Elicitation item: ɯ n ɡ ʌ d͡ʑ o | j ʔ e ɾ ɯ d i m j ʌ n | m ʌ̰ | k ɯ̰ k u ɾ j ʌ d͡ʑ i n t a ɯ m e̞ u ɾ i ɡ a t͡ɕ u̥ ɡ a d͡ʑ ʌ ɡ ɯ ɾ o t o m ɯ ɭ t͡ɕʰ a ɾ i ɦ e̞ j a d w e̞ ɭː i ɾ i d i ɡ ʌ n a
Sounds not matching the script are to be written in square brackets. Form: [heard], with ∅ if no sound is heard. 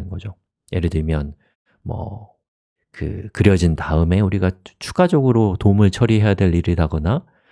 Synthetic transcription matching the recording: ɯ n ɡ ʌ d͡ʑ o | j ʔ e ɾ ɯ d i m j ʌ n | m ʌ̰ | k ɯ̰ k [ɯ] ɾ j ʌ d͡ʑ i n t a ɯ m e̞ u ɾ i ɡ a [t͡ɕʰ] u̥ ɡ a d͡ʑ ʌ ɡ ɯ ɾ o t o m ɯ ɭ t͡ɕʰ [ʌ] ɾ i ɦ e̞ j a d w e̞ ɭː i ɾ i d [a] ɡ ʌ n a